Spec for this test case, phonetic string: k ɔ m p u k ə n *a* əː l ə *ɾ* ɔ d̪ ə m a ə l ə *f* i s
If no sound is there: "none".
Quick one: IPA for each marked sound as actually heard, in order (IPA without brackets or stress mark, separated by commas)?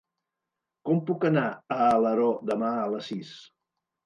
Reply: a, ɾ, s